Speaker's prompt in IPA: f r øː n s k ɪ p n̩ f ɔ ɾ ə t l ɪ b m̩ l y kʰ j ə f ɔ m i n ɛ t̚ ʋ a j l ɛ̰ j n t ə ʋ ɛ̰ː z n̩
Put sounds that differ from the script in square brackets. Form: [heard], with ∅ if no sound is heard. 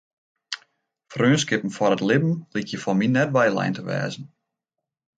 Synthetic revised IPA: f r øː n s k ɪ p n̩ f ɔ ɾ ə t l ɪ b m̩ l [i] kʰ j ə f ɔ m i n ɛ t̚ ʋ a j l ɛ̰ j n t ə ʋ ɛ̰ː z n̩